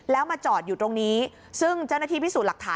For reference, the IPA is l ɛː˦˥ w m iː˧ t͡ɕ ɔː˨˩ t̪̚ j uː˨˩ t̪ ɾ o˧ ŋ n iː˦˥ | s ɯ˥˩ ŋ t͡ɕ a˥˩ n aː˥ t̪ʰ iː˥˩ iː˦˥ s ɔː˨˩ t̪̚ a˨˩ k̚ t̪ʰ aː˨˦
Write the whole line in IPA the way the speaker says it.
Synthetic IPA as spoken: l ɛː˦˥ w m aː˧ t͡ɕ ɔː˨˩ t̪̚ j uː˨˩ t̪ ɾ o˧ ŋ n iː˦˥ | s ɯ˥˩ ŋ t͡ɕ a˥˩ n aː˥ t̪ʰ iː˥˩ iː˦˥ s uː˨˩ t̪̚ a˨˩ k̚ t̪ʰ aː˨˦